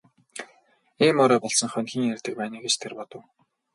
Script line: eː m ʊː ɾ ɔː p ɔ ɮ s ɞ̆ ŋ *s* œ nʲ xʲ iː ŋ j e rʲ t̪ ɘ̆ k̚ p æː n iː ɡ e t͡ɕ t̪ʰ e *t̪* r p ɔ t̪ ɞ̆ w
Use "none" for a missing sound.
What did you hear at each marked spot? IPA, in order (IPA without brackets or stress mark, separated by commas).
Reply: χ, none